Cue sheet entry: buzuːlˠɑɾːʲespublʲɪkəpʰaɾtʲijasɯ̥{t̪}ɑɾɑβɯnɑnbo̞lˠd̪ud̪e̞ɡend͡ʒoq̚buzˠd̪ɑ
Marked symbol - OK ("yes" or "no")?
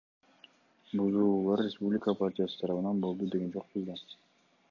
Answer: no